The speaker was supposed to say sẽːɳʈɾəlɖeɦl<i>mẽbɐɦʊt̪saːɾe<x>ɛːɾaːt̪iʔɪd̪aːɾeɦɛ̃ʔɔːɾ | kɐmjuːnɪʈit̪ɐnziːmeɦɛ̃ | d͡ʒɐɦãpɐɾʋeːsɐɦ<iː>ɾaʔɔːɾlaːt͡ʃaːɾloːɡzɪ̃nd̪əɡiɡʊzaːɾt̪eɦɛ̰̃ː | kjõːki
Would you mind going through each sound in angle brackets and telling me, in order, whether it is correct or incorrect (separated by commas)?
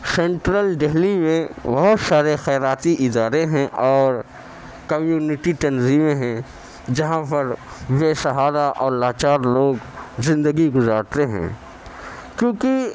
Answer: correct, correct, incorrect